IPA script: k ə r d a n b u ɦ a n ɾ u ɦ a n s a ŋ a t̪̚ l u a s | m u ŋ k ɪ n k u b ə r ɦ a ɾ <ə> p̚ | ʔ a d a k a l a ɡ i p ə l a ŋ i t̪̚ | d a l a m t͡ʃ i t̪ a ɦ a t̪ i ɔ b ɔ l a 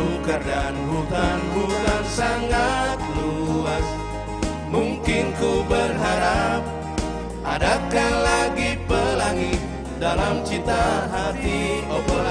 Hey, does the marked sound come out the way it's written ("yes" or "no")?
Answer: no